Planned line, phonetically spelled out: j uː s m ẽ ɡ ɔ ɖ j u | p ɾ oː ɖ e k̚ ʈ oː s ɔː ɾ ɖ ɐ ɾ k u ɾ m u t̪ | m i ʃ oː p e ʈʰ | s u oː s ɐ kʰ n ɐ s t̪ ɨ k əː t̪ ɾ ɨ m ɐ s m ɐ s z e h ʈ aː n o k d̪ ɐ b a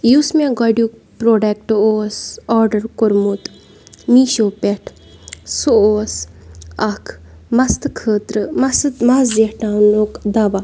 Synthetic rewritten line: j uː s m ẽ ɡ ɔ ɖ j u | p ɾ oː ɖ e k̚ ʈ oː s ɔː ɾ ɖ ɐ ɾ k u ɾ m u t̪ | m i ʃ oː p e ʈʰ | s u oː s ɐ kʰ m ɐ s t̪ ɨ kʰ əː t̪ ɾ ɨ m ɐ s m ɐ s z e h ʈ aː n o k d̪ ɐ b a